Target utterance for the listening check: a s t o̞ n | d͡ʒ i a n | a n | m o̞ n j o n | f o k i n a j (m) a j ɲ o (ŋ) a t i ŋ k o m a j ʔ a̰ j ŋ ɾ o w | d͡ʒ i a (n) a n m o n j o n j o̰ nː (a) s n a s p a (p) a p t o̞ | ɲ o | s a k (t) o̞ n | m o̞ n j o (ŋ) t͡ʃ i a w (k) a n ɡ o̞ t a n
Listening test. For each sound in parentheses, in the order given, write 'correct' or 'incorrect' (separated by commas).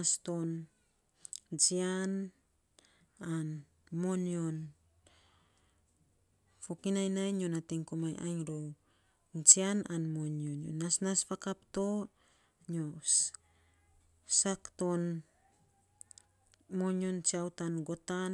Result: incorrect, incorrect, correct, correct, incorrect, correct, incorrect, incorrect